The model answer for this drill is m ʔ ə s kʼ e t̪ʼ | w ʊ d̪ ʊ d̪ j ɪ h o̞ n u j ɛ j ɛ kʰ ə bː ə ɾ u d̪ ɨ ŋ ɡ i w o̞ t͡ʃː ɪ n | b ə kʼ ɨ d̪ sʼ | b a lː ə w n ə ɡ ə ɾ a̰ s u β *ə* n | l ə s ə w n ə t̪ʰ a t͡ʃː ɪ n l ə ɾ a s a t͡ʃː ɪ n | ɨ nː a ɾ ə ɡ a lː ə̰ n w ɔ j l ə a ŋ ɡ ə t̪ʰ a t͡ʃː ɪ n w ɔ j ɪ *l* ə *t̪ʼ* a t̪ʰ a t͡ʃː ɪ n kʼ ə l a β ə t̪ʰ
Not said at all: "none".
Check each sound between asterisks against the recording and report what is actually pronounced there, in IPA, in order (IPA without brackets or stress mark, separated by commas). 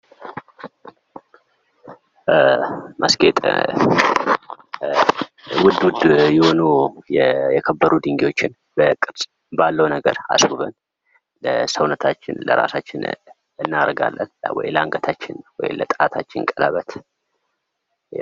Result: ə, l, t̪ʼ